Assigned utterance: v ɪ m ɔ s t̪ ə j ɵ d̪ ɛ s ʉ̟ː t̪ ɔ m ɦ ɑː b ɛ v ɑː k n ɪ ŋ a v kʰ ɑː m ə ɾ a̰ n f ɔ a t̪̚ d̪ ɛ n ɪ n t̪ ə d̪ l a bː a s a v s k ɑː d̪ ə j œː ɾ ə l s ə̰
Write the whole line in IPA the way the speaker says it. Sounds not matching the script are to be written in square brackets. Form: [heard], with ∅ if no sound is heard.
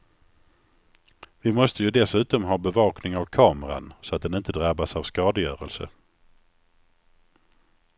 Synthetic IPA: v ɪ m ɔ s t̪ ə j ɵ d̪ ɛ s ʉ̟ː t̪ ɔ m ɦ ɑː b ɛ v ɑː k n ɪ ŋ a v kʰ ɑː m ə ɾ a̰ n [s] ɔ a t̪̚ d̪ ɛ n ɪ n t̪ ə d̪ [ɾ] a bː a s a v s k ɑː d̪ ə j œː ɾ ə l s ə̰